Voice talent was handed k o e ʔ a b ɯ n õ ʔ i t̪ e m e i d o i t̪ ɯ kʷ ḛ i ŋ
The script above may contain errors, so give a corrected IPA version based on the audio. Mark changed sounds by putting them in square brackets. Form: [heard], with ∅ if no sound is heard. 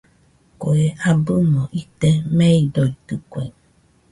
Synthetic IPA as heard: k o e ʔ a b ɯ [m] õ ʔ i t̪ e m e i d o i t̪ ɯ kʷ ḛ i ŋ